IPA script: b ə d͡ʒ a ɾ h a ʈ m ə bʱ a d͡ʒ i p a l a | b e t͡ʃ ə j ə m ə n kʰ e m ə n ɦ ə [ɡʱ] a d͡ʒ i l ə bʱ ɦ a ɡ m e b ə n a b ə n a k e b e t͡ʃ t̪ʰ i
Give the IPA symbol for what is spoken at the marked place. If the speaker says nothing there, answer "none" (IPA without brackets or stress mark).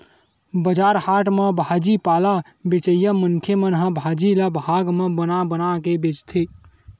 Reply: bʱ